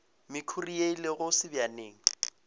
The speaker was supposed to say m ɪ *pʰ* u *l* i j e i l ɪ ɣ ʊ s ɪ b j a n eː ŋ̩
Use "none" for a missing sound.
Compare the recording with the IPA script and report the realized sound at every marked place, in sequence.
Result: kʰ, r

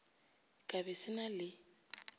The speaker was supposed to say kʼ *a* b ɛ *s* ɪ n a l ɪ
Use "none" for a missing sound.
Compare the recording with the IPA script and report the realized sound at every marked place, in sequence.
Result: a, s

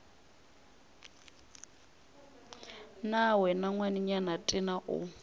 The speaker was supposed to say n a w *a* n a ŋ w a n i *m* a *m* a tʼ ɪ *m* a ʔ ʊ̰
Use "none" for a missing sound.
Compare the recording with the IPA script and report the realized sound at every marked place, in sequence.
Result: ɛ, ɲ, n, n

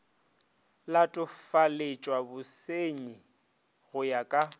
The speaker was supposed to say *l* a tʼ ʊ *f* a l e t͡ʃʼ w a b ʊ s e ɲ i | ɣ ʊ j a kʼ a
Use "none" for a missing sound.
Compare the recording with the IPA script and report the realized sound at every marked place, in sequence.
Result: l, f

